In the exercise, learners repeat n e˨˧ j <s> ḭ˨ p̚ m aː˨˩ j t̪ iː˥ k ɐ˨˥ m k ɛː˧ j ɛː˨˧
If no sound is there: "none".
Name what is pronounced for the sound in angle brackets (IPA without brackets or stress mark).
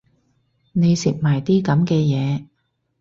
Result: s